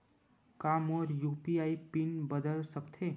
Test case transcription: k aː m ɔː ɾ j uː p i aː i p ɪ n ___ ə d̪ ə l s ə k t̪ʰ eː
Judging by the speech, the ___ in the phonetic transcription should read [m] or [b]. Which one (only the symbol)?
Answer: b